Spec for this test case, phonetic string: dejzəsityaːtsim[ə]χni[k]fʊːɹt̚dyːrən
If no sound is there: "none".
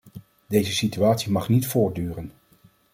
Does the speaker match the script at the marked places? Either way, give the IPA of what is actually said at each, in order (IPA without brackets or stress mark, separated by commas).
ɑ, t